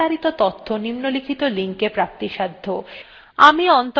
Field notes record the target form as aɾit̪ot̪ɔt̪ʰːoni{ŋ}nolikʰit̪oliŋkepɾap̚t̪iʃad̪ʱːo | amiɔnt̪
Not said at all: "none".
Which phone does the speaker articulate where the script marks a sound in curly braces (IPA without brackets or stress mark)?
m